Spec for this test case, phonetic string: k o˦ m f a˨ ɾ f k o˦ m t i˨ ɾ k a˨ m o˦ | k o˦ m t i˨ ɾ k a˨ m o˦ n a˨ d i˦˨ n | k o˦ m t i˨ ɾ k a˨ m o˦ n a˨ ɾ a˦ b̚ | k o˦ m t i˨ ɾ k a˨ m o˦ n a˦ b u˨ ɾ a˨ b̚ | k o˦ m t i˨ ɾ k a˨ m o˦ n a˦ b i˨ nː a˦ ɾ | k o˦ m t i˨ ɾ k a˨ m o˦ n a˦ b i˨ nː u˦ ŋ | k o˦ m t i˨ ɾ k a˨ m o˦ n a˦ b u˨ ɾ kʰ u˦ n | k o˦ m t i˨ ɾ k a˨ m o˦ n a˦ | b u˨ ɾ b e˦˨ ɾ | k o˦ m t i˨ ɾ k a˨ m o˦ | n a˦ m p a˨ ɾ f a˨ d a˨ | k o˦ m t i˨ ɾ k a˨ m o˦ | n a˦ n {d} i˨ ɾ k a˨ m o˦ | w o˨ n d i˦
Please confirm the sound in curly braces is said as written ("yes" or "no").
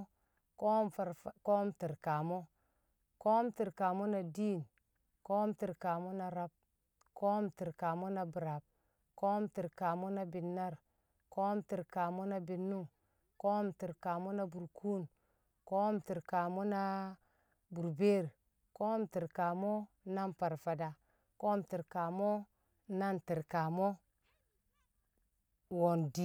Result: no